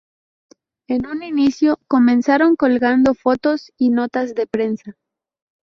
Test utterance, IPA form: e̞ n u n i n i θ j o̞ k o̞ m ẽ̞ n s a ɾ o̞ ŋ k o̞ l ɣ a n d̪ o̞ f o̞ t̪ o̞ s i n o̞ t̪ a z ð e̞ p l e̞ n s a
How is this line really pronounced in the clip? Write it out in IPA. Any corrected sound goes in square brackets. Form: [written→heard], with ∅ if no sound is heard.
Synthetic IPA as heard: e̞ n u n i n i [θ→s] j o̞ k o̞ m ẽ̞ n s a ɾ o̞ ŋ k o̞ l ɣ a n d̪ o̞ f o̞ t̪ o̞ s i n o̞ t̪ a z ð e̞ p [l→ɾ] e̞ n s a